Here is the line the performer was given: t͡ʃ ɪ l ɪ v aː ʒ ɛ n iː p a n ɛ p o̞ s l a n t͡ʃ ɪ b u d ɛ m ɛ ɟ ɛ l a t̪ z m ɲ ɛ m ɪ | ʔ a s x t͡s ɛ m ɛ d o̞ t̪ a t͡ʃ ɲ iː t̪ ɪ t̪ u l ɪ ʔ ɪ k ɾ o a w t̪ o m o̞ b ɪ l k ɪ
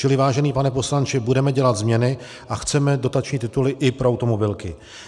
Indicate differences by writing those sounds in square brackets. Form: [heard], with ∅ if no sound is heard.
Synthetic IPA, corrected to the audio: t͡ʃ ɪ l ɪ v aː ʒ ɛ n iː p a n ɛ p o̞ s l a n t͡ʃ ɪ b u d ɛ m ɛ ɟ ɛ l a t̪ z m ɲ ɛ [n] ɪ | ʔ a [∅] x t͡s ɛ m ɛ d o̞ t̪ a t͡ʃ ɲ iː t̪ ɪ t̪ u l ɪ ʔ ɪ [p] ɾ o a w t̪ o m o̞ b ɪ l k ɪ